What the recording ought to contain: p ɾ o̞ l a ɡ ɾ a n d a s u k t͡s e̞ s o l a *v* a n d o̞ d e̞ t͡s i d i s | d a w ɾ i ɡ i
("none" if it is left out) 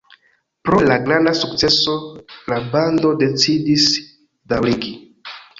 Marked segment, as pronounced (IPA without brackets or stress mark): b